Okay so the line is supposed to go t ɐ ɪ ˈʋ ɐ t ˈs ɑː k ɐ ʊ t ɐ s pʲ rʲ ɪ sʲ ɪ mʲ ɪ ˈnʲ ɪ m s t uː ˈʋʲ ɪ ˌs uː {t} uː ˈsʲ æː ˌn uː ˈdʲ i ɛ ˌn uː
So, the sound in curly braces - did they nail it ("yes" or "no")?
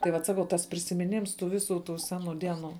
yes